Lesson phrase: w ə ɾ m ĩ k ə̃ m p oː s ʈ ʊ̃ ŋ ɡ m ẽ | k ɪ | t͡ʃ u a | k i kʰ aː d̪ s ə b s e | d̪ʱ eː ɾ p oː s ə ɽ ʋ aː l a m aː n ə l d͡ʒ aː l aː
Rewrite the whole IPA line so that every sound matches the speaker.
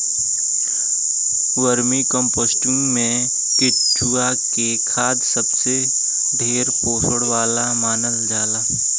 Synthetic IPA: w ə ɾ m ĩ k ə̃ m p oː s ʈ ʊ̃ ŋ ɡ m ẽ | k ɪ | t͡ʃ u a | k e kʰ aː d̪ s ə b s e | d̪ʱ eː ɾ p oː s ə ɽ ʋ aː l a m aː n ə l d͡ʒ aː l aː